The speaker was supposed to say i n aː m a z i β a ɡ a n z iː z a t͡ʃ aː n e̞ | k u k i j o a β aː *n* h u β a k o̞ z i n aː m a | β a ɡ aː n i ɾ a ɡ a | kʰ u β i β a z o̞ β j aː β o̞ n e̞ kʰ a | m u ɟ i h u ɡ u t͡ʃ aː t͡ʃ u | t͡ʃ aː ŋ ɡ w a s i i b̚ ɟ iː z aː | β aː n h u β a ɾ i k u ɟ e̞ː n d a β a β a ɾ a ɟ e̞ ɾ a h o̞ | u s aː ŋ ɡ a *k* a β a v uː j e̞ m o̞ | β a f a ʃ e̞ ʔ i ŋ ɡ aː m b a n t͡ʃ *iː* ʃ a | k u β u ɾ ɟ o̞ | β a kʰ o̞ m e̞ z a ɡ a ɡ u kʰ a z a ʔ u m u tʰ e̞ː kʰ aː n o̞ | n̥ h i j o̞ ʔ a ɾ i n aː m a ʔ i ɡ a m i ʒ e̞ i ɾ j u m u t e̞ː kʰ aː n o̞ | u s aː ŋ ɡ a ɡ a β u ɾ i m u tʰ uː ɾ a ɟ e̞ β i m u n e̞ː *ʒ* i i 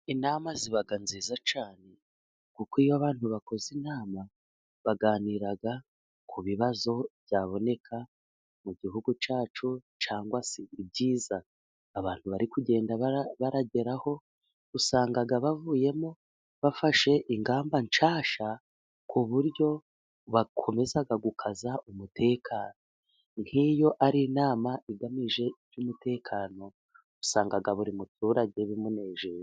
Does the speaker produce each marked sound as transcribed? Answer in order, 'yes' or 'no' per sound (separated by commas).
yes, no, no, yes